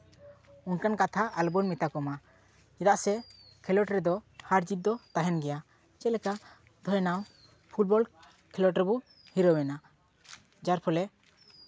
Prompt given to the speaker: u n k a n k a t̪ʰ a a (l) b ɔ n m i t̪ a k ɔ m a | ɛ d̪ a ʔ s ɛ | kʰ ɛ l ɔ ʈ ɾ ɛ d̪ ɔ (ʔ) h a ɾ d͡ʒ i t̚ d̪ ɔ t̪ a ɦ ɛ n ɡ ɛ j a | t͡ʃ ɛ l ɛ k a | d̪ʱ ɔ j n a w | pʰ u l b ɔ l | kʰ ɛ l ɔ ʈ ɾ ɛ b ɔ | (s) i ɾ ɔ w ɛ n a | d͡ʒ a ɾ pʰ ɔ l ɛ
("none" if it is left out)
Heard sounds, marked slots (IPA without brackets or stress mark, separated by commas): l, none, h